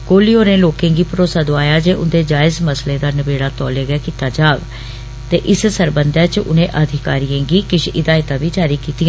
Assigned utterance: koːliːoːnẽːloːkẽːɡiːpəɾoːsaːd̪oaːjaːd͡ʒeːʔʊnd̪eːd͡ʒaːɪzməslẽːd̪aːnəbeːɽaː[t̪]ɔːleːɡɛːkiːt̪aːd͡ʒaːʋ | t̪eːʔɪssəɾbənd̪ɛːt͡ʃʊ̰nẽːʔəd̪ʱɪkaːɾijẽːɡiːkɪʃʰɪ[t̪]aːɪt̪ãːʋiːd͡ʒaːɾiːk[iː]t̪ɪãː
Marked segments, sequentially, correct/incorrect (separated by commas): correct, incorrect, correct